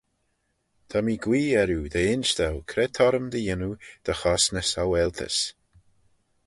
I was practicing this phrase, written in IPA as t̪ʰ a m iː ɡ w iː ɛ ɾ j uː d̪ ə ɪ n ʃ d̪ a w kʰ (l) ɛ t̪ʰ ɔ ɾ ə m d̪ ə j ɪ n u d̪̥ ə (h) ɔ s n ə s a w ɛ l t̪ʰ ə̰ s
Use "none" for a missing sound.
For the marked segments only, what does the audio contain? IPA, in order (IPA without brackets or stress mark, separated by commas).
ɾ, x